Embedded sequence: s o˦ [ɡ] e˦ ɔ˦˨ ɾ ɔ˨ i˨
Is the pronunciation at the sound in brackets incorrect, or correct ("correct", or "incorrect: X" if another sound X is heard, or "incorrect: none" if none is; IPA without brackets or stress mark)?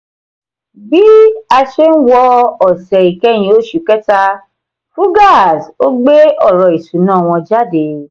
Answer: incorrect: ɡ͡b